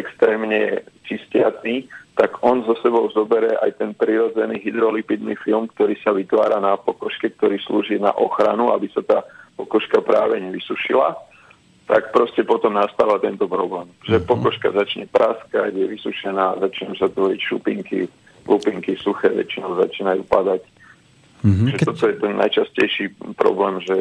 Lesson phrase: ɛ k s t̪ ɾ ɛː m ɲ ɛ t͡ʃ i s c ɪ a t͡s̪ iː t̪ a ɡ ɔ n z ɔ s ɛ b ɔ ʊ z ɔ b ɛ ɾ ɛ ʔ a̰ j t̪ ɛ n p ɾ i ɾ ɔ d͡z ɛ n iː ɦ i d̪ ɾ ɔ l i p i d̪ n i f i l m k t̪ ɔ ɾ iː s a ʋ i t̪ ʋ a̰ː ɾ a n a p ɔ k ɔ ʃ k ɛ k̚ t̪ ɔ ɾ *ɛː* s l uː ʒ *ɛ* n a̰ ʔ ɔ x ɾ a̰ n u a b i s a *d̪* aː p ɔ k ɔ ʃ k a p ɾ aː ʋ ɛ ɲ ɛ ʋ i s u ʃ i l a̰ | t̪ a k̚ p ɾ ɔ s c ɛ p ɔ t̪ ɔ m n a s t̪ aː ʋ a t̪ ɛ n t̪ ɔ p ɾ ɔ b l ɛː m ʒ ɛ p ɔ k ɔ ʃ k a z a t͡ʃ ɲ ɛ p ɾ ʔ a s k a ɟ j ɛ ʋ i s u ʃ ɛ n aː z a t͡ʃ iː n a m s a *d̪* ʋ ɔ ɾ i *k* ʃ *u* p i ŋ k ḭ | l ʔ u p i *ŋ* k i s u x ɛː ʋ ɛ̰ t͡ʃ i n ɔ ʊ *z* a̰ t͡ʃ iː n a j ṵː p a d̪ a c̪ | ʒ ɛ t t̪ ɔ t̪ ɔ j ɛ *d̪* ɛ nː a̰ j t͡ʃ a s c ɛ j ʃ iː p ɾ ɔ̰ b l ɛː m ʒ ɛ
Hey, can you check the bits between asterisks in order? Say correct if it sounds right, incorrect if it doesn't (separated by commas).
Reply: incorrect, incorrect, incorrect, incorrect, incorrect, correct, correct, correct, incorrect